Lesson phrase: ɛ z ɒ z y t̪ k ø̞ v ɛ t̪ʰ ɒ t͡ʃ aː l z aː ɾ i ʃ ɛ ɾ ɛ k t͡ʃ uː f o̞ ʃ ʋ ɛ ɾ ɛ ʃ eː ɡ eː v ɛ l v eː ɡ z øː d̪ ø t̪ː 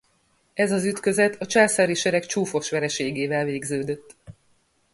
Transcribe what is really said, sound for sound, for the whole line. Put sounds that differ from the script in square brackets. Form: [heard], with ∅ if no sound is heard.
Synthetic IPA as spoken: ɛ z ɒ z y t̪ k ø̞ [z] ɛ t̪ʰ ɒ t͡ʃ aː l [s] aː ɾ i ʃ ɛ ɾ ɛ k t͡ʃ uː f o̞ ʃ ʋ ɛ ɾ ɛ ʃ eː ɡ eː v ɛ l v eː ɡ z øː d̪ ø t̪ː